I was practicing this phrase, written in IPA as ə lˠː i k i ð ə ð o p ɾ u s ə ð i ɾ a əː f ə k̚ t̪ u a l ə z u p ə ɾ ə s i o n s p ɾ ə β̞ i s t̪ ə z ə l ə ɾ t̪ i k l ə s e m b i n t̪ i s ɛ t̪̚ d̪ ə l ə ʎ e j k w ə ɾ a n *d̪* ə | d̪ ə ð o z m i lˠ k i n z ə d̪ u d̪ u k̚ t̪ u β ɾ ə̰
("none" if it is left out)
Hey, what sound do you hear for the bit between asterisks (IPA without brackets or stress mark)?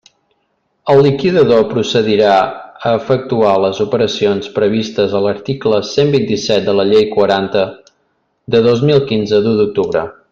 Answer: t̪